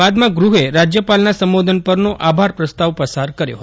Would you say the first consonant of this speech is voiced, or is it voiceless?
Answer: voiced